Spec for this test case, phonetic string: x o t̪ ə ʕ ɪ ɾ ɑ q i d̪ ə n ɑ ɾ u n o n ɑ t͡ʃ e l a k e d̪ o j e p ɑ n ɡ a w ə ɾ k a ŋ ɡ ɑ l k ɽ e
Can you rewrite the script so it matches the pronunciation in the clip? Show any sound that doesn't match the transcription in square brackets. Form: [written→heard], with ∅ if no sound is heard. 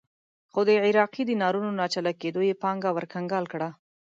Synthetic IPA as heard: x o [t̪→d̪] ə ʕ ɪ ɾ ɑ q i d̪ ə n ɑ ɾ u n o n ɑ t͡ʃ [e→a] l a k e d̪ o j e p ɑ [n→ŋ] ɡ a w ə ɾ k a ŋ ɡ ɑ l k ɽ [e→a]